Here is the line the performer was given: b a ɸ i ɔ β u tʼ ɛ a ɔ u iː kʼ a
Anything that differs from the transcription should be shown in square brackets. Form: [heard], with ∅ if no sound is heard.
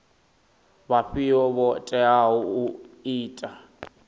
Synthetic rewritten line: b a ɸ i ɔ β [ɔ] tʼ ɛ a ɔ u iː [tʼ] a